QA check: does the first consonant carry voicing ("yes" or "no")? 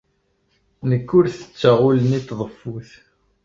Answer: yes